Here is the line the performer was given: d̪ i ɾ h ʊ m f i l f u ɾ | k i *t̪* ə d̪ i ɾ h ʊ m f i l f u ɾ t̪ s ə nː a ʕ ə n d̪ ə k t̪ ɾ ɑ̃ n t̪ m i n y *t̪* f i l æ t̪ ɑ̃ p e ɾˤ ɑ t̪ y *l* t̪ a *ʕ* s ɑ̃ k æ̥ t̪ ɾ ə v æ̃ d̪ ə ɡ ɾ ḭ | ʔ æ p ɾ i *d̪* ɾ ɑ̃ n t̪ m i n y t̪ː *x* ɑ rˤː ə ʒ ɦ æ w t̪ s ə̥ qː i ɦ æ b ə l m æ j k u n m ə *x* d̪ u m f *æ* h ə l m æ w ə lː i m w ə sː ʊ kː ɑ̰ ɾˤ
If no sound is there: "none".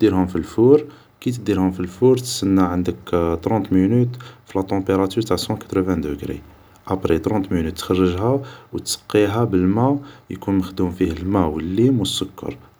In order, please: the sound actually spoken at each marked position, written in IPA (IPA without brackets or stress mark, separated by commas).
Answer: t̪, t̪, ɾ, ʕ, t̪, x, x, i